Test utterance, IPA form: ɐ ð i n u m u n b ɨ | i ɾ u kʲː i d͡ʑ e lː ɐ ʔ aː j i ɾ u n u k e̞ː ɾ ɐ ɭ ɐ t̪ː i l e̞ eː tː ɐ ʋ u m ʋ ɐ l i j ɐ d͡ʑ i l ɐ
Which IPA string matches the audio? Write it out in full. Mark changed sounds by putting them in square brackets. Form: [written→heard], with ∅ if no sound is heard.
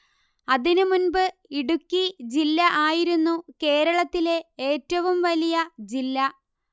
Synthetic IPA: ɐ ð i n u m u n b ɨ | i [ɾ→ɽ] u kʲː i d͡ʑ [e→i] lː ɐ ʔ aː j i ɾ u [n→nː] u k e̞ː ɾ ɐ ɭ ɐ t̪ː i l e̞ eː tː ɐ ʋ u m ʋ ɐ l i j ɐ d͡ʑ i [l→lː] ɐ